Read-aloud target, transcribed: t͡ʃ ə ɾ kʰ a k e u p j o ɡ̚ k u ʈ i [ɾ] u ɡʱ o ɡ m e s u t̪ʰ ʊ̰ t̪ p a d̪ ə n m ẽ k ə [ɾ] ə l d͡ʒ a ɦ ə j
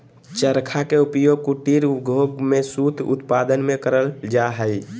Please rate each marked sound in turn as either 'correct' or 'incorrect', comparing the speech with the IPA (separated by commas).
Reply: correct, correct